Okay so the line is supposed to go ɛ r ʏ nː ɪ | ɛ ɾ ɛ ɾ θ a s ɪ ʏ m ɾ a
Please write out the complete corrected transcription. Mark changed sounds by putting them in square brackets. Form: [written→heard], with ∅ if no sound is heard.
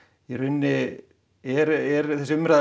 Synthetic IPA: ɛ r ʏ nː ɪ | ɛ ɾ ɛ ɾ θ [a→ɛ] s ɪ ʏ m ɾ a